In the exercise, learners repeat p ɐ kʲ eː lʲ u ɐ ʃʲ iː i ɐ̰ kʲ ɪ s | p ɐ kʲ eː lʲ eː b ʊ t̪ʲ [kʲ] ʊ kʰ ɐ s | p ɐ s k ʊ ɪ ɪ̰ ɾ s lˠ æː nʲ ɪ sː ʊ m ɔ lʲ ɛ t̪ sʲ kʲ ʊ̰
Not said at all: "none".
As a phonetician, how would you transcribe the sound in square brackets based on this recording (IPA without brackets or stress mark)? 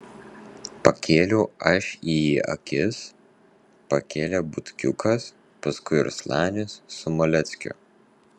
kʲ